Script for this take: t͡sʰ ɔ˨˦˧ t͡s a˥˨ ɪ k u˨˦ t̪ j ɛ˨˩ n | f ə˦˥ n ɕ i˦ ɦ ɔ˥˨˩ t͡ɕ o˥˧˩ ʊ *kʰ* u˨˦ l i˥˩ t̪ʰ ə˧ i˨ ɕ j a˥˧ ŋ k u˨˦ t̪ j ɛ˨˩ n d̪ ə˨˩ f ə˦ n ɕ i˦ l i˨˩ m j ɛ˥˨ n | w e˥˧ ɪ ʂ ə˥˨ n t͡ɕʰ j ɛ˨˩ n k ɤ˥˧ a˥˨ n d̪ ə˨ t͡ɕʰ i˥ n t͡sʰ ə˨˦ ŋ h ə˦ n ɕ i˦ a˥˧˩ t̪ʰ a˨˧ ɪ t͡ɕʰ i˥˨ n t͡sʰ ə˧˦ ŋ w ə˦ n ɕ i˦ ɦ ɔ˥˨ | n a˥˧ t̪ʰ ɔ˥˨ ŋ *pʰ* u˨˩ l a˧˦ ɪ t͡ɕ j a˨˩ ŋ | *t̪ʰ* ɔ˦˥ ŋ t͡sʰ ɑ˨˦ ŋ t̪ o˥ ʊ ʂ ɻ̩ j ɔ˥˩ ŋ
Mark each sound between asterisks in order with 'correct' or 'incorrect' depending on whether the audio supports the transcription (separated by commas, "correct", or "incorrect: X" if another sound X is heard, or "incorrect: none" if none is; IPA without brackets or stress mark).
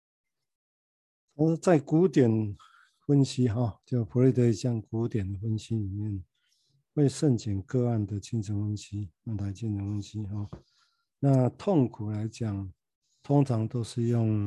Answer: incorrect: pʰ, incorrect: kʰ, correct